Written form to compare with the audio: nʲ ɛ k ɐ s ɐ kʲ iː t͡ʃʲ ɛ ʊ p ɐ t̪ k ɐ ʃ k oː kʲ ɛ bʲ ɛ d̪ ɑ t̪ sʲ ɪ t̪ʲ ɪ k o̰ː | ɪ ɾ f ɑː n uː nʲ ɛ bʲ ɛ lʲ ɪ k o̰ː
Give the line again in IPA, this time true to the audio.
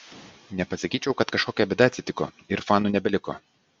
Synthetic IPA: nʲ ɛ p ɐ s ɐ kʲ iː t͡ʃʲ ɛ ʊ k ɐ t̪ k ɐ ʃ k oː kʲ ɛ bʲ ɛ d̪ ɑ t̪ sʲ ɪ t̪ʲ ɪ k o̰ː | ɪ ɾ f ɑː n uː nʲ ɛ bʲ ɛ lʲ ɪ k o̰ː